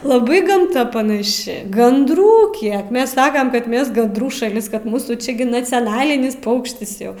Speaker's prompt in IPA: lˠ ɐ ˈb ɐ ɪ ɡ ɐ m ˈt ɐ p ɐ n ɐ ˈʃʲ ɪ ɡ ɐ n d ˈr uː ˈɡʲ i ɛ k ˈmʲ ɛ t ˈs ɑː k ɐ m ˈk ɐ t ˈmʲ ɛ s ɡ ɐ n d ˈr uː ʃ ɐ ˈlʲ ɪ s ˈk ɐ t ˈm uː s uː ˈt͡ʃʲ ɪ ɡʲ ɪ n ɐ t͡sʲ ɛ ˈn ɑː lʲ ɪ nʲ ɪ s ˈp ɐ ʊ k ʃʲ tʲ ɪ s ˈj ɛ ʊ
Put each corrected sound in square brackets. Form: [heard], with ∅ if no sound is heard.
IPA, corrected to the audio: lˠ ɐ ˈb ɐ ɪ ɡ ɐ m ˈt ɐ p ɐ n ɐ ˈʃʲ ɪ ɡ ɐ n d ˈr uː [ˈkʲ] i ɛ k ˈmʲ ɛ [s] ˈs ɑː k ɐ m ˈk ɐ t ˈmʲ ɛ s ɡ ɐ n d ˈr uː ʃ ɐ ˈlʲ ɪ s ˈk ɐ t ˈm uː s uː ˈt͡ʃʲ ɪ ɡʲ ɪ n ɐ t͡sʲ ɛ ˈn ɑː lʲ ɪ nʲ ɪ s ˈp ɐ ʊ k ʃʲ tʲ ɪ s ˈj ɛ ʊ